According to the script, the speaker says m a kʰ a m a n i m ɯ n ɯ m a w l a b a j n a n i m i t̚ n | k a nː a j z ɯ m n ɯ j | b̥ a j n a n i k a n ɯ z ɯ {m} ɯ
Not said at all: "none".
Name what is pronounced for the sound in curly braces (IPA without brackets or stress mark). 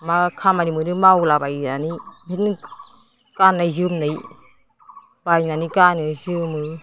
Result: m